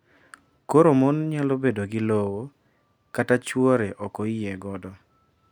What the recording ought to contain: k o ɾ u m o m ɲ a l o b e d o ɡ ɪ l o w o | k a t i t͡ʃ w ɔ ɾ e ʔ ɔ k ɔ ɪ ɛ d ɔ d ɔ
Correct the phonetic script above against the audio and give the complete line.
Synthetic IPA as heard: k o ɾ o m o n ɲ a l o b e d o ɡ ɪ l o w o | k a t a t͡ʃ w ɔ ɾ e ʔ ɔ k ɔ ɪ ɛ ɡ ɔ d ɔ